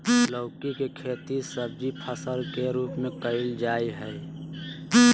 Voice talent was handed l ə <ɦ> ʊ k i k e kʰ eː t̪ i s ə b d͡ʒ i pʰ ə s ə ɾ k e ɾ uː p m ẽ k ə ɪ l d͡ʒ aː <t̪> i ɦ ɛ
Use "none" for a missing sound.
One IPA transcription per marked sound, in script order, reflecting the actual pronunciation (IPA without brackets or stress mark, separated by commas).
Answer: none, none